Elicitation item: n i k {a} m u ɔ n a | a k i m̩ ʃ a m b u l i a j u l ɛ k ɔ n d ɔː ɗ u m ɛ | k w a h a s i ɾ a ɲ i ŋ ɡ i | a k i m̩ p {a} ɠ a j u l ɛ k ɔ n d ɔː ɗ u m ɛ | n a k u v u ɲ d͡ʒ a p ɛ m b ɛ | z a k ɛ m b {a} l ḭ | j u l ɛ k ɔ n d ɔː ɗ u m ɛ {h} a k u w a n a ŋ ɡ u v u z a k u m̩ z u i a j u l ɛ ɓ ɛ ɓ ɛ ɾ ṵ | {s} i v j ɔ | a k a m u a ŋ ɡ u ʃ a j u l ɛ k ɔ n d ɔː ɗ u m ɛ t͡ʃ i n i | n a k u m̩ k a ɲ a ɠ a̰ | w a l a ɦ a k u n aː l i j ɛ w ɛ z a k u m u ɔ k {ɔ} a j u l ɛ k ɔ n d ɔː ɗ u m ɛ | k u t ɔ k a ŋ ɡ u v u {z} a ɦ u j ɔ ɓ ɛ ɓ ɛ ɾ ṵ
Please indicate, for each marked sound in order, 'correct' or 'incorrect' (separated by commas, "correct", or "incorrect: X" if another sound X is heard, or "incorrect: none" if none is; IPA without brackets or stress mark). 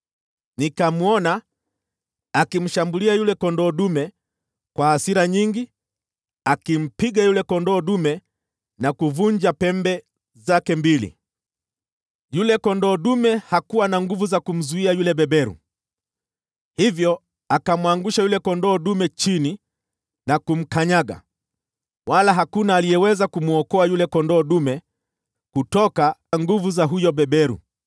correct, incorrect: i, incorrect: i, correct, incorrect: h, correct, correct